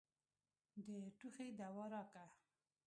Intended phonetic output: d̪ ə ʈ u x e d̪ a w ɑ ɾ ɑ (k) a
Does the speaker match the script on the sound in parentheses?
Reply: yes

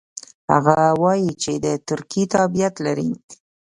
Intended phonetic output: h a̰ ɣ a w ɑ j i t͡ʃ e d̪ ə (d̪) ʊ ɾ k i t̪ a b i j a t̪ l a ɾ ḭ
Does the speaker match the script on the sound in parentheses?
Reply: no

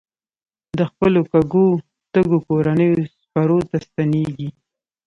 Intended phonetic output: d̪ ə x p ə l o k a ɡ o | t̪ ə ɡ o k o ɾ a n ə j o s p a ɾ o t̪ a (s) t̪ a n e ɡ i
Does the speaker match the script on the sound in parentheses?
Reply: yes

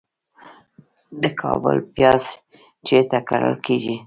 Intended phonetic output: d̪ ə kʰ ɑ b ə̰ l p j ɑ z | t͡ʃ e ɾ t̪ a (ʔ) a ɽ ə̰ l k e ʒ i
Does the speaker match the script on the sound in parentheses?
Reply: no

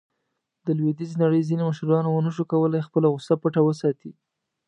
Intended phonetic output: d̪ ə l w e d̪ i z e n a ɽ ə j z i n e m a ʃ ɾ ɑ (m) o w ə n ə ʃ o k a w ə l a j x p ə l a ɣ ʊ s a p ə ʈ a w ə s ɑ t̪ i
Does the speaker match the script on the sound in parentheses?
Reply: no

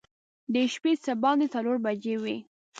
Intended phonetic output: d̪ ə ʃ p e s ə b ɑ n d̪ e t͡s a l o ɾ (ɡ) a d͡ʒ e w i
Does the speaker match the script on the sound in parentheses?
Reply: no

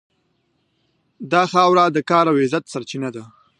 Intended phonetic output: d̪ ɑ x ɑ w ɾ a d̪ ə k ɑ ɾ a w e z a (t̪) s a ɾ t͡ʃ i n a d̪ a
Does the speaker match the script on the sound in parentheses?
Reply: yes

